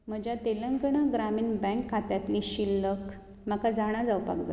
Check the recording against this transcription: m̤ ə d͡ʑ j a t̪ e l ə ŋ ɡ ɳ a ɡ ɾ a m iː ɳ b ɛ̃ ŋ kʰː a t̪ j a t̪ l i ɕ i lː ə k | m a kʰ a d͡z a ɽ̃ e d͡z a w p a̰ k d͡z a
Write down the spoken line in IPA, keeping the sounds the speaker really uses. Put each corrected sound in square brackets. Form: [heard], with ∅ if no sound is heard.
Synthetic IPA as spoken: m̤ ə d͡ʑ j a t̪ e l ə ŋ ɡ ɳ a ɡ ɾ a m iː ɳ b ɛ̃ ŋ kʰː a t̪ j a t̪ l i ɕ i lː ə k | m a [k] a d͡z a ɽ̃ [a] d͡z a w p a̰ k d͡z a